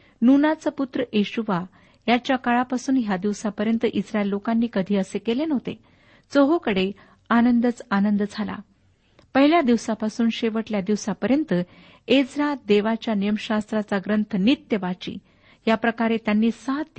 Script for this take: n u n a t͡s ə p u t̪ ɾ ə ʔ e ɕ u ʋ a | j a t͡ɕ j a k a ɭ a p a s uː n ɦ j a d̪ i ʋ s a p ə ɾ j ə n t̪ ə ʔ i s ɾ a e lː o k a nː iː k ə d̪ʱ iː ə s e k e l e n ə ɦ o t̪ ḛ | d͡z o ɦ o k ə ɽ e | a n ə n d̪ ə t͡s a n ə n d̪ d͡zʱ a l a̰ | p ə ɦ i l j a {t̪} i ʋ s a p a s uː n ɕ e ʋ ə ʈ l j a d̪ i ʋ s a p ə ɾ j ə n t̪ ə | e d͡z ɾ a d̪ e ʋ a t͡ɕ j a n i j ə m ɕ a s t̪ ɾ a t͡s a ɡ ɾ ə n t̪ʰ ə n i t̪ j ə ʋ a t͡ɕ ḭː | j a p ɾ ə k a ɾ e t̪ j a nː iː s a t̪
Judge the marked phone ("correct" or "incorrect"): incorrect